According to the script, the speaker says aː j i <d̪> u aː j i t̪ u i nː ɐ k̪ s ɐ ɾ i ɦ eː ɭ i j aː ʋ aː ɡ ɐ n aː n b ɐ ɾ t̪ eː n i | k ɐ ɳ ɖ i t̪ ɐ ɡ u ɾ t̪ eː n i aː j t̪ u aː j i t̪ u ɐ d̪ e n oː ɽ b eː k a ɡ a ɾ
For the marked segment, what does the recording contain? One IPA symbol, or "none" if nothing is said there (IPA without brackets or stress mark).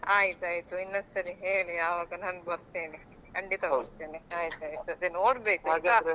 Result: t̪